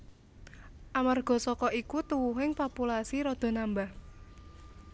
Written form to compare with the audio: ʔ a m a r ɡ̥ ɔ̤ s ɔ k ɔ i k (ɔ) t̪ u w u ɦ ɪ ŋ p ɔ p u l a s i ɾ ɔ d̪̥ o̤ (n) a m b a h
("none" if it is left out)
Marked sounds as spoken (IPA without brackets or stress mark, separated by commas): u, n